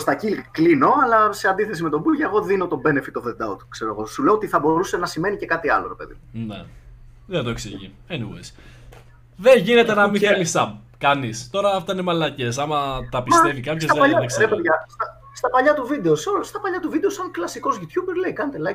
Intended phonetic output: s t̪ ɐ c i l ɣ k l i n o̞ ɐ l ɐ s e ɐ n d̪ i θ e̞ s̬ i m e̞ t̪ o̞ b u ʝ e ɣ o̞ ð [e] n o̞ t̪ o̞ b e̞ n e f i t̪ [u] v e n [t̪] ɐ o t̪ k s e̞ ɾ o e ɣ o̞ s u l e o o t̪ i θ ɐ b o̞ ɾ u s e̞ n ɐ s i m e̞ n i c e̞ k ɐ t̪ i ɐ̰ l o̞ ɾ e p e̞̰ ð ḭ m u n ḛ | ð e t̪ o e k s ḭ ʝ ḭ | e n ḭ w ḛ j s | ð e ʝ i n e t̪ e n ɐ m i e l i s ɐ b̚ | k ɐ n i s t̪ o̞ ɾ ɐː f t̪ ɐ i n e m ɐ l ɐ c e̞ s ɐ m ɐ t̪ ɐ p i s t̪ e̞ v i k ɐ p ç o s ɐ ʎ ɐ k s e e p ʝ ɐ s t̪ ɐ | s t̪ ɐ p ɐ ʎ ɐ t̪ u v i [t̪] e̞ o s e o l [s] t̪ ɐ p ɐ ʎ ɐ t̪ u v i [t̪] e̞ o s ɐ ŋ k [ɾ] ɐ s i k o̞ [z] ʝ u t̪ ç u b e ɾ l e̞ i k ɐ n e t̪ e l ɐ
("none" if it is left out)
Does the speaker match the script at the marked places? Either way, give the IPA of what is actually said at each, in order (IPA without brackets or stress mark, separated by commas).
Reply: i, o, d̪, d̪, s, d̪, l, z